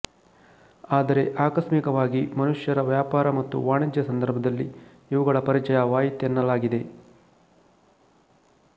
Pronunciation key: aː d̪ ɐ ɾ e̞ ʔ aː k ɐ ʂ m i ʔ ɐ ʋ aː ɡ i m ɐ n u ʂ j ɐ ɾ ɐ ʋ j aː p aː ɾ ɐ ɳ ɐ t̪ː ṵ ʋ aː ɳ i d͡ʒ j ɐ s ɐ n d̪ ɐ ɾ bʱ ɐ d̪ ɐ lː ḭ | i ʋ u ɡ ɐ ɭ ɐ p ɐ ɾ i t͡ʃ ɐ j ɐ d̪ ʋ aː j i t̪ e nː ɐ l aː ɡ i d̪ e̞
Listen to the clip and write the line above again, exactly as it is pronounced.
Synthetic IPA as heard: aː d̪ ɐ ɾ e̞ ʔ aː k ɐ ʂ m i k ɐ ʋ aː ɡ i m ɐ n u ʂ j ɐ ɾ ɐ ʋ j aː p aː ɾ ɐ m ɐ t̪ː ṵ ʋ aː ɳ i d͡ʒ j ɐ s ɐ n d̪ ɐ ɾ bʱ ɐ d̪ ɐ lː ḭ | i ʋ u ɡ ɐ ɭ ɐ p ɐ ɾ i t͡ʃ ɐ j ɐ ʋ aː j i t̪ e nː ɐ l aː ɡ i d̪ e̞